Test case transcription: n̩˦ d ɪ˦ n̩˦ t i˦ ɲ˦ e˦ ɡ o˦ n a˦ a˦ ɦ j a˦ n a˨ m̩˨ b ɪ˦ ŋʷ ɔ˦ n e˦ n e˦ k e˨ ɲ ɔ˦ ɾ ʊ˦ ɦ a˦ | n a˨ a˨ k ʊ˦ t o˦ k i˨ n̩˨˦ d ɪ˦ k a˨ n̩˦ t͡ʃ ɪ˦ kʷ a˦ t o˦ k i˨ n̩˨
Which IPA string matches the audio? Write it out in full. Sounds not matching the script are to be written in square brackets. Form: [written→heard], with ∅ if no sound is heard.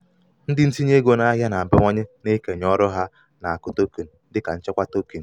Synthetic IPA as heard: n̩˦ d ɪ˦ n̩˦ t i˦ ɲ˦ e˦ ɡ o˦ n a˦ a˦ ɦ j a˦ n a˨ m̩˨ b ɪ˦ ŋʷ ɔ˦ [n→ɲ] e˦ n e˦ k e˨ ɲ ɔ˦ ɾ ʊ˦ ɦ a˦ | n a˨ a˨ k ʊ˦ t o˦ k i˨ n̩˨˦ d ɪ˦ k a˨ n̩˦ t͡ʃ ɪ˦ kʷ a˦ t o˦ k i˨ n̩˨

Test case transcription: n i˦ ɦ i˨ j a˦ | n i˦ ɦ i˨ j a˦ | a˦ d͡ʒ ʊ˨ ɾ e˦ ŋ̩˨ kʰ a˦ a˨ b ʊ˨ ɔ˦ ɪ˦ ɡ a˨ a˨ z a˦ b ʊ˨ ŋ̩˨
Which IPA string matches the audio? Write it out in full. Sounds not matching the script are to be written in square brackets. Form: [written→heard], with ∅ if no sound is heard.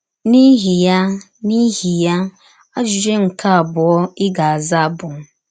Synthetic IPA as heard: n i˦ ɦ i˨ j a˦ | n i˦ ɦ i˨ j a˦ | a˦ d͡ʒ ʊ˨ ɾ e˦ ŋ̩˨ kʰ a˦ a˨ b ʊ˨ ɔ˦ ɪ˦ ɡ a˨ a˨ z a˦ b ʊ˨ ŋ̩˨

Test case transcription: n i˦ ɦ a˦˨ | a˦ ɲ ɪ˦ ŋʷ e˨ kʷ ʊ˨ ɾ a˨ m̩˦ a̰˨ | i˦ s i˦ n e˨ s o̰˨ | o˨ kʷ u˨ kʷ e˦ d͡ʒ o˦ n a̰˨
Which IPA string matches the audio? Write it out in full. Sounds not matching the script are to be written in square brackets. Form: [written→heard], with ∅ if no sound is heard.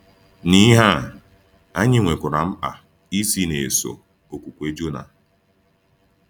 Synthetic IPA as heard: n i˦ ɦ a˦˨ | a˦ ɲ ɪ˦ ŋʷ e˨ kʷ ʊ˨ ɾ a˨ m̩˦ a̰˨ | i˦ s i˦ n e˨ s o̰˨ | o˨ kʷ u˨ kʷ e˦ d͡ʒ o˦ n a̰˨

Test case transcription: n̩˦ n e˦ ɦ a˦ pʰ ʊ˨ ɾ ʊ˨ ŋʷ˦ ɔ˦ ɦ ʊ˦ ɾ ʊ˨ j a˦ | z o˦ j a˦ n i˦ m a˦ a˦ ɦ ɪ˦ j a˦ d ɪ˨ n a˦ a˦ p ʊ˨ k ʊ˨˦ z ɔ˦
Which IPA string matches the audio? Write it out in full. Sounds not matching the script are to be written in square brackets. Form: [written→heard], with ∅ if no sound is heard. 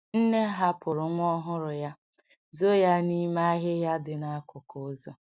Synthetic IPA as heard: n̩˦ n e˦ ɦ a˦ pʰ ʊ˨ ɾ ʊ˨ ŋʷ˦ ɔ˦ ɦ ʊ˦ ɾ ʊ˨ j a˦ | z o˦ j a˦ n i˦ m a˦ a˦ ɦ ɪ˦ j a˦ d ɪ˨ n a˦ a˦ [p→k] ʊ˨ k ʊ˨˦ z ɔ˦

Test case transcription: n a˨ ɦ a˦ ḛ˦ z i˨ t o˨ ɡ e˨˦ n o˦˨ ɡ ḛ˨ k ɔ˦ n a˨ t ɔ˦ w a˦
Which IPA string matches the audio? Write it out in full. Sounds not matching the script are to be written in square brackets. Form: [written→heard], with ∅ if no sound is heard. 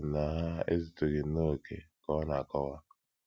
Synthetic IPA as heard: n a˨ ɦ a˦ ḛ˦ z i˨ t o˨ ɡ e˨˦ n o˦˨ [ɡ→k] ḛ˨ k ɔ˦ n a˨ [t→k] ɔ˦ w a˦

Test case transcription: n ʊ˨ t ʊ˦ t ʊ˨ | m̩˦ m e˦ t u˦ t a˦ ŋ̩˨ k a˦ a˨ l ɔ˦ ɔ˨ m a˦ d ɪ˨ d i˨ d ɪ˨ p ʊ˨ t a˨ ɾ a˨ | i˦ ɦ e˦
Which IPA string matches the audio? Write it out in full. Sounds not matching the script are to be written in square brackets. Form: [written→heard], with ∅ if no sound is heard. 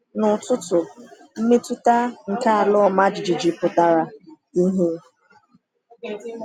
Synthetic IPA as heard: n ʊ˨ t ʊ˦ t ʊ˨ | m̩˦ m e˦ t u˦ t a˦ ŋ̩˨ k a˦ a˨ l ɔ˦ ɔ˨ m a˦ [d→d͡ʒ] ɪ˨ [d→d͡ʒ] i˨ [d→d͡ʒ] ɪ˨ p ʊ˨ t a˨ ɾ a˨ | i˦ ɦ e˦

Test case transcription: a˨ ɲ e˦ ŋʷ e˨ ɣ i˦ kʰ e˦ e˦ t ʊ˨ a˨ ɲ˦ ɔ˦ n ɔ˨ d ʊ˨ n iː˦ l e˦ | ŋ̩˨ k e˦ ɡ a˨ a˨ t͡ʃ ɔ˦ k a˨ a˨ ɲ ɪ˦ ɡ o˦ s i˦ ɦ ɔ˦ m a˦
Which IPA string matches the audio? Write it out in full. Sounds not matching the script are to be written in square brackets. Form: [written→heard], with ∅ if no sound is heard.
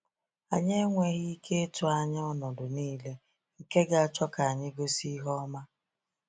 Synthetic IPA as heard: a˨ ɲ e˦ ŋʷ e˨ ɣ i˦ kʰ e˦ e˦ t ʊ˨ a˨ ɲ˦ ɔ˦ n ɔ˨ d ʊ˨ n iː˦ l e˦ | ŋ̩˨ k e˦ ɡ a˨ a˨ t͡ʃ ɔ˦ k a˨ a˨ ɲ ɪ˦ ɡ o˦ s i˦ ɦ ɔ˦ m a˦

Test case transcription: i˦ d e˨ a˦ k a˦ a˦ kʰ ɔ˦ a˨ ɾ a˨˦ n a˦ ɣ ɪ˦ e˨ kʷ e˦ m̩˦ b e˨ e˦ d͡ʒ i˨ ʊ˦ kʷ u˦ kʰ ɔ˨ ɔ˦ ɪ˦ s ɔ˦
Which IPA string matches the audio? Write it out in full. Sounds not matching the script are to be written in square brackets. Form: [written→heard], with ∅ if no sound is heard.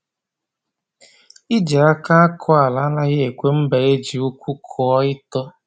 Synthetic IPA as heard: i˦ [d→d͡ʒ] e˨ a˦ k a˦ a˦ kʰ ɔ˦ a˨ [ɾ→l] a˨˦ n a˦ ɣ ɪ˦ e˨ kʷ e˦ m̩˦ b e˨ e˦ d͡ʒ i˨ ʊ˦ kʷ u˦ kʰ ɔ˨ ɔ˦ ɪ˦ [s→t] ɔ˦

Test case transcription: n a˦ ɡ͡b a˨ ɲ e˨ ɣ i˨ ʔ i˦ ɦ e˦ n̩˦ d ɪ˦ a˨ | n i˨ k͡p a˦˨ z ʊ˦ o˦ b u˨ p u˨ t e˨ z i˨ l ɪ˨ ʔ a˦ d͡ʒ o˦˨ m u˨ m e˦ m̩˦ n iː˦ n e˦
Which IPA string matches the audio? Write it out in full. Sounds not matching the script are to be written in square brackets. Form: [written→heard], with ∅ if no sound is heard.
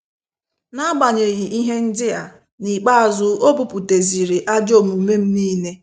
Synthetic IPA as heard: n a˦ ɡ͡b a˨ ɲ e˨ ɣ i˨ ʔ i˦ ɦ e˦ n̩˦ d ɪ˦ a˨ | n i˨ k͡p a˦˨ z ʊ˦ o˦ b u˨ p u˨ t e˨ z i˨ [l→ɾ] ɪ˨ ʔ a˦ d͡ʒ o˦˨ m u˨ m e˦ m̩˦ n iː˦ n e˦

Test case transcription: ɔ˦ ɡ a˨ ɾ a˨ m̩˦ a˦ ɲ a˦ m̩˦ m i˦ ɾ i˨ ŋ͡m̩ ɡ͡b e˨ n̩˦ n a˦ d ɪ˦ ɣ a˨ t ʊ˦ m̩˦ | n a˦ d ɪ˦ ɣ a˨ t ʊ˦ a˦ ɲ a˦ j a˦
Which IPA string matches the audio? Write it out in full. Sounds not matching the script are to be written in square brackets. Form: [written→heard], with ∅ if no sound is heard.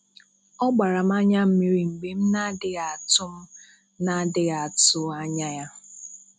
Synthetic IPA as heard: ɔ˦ [ɡ→ɡ͡b] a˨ ɾ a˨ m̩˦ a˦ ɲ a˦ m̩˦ m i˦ ɾ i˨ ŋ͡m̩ ɡ͡b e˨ [n̩˦→m̩˦] n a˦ d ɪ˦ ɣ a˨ t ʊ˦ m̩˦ | n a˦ d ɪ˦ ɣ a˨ t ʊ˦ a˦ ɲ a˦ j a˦

